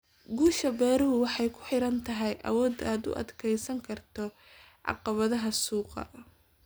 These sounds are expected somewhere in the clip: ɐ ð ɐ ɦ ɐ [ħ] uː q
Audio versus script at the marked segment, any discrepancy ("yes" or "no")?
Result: yes